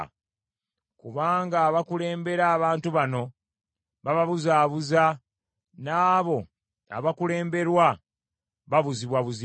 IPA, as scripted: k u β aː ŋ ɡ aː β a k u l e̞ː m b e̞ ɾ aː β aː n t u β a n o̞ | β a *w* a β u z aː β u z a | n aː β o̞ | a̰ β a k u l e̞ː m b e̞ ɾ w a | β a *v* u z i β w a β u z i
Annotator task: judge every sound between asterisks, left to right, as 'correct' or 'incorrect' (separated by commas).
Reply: incorrect, incorrect